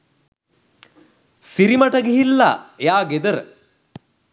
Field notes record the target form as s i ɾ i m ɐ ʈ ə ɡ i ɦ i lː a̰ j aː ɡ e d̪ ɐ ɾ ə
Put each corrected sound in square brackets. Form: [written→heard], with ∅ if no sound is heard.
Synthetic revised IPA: s i ɾ i m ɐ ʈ [ə→ɐ] ɡ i ɦ i lː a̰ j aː ɡ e d̪ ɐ ɾ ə